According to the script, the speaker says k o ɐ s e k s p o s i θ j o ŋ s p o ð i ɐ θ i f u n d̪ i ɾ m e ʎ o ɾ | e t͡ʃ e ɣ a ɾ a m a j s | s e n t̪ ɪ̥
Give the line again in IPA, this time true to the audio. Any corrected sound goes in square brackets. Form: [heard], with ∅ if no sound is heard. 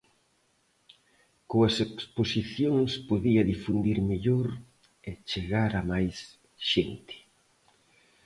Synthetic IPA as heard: k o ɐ s e k s p o s i θ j o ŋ s p o ð i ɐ [ð] i f u n d̪ i ɾ m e ʎ o ɾ | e t͡ʃ e ɣ a ɾ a m a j s | [ʃ] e n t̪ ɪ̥